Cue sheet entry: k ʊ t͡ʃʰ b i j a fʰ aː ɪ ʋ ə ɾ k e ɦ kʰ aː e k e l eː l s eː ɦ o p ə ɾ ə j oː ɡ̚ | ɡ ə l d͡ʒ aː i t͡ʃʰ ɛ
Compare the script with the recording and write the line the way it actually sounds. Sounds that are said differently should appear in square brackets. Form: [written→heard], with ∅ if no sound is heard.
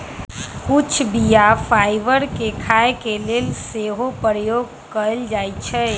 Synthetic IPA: k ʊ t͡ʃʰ b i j a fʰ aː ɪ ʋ ə ɾ k e [ɦ→∅] kʰ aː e k e l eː l s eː ɦ o p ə ɾ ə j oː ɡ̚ | [ɡ→k] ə l d͡ʒ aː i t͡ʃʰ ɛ